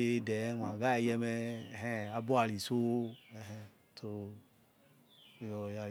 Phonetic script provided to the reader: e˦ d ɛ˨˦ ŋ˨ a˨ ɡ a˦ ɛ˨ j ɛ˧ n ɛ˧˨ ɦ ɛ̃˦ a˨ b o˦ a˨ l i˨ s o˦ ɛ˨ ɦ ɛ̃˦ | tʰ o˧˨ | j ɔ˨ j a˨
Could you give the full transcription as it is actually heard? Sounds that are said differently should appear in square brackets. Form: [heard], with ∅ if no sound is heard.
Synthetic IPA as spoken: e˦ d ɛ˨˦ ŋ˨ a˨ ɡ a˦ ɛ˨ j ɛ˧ [m] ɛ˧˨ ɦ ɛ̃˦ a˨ b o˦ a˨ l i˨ s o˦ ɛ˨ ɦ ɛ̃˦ | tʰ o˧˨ | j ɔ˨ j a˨